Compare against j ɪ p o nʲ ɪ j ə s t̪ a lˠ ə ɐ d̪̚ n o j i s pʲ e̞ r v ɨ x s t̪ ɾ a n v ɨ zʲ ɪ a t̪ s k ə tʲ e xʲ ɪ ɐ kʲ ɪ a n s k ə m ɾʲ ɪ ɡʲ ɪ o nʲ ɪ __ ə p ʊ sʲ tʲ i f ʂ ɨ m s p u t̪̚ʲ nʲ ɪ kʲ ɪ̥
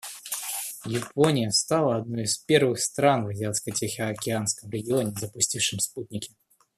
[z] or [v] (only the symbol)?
z